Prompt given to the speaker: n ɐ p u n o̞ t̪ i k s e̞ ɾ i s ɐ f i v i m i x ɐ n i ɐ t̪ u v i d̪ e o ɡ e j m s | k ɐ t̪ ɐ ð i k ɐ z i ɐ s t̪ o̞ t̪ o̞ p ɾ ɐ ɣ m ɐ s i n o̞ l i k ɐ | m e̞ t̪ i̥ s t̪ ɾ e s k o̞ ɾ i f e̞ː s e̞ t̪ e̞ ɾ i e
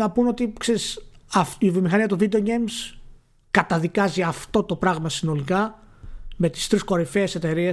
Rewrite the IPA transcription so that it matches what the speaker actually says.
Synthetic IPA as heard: n ɐ p u n o̞ t̪ i k s e̞ ɾ i s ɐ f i v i m i x ɐ n i ɐ t̪ u v i d̪ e o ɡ e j m s | k ɐ t̪ ɐ ð i k ɐ z i ɐ f t̪ o̞ t̪ o̞ p ɾ ɐ ɣ m ɐ s i n o̞ l i k ɐ | m e̞ t̪ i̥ s t̪ ɾ i s k o̞ ɾ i f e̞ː s e̞ t̪ e̞ ɾ i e